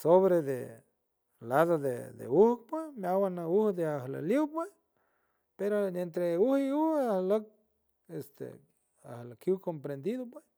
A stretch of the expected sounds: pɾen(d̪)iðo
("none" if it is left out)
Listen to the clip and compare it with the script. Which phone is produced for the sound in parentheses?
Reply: d̪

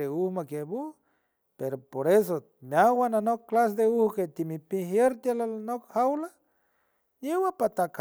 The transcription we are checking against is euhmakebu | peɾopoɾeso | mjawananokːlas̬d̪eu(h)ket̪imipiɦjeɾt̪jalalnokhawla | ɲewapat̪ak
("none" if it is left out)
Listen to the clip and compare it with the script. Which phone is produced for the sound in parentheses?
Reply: h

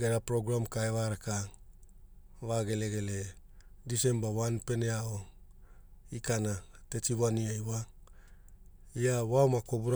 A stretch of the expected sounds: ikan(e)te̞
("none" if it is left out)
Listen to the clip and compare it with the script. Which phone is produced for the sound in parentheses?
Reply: a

